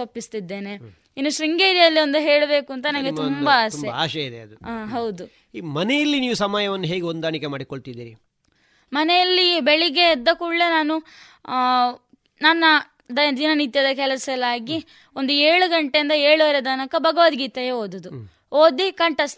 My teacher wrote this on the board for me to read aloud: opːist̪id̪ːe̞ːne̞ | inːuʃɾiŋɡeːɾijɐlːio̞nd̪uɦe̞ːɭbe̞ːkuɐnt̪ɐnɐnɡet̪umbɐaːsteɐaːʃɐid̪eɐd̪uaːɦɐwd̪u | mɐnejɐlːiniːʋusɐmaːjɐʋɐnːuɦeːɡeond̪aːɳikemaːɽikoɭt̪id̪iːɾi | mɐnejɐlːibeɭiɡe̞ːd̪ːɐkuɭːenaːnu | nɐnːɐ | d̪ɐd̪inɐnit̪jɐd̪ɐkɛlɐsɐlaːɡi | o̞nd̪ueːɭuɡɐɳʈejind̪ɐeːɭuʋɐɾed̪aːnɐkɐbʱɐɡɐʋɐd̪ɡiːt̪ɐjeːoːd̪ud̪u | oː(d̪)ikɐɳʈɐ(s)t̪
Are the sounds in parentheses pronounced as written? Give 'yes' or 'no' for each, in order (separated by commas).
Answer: yes, yes